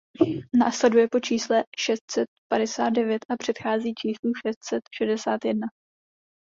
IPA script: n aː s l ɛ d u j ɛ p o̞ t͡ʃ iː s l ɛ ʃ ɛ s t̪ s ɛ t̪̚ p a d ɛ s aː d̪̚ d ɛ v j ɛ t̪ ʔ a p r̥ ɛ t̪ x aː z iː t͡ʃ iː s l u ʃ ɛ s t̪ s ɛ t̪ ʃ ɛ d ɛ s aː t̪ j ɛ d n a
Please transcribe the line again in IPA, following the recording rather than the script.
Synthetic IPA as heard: n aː s l ɛ d u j ɛ p o̞ t͡ʃ iː s l ɛ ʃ ɛ s t̪ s ɛ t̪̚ p a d ɛ s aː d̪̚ d ɛ v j ɛ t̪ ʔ a p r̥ ɛ t̪ x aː z iː t͡ʃ iː s l u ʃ ɛ s t̪ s ɛ t̪ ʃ ɛ d ɛ s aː t̪ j ɛ d n a